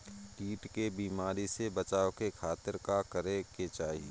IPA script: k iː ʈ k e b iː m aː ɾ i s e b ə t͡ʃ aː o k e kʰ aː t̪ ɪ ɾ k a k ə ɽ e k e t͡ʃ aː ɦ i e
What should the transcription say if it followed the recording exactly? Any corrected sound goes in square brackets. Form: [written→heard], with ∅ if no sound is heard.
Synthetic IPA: k iː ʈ k e b iː m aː ɾ i s e b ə t͡ʃ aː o k e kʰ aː t̪ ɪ ɾ k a k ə [ɽ→ɾ] e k e t͡ʃ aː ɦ i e